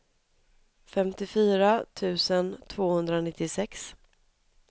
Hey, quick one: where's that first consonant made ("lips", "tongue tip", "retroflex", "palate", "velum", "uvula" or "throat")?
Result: lips